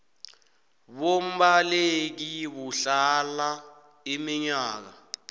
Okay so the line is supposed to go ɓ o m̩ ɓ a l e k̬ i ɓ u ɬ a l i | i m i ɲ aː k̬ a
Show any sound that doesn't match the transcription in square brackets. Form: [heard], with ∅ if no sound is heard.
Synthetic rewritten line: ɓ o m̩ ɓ a l e k̬ i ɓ u ɬ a l [a] | i m i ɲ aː k̬ a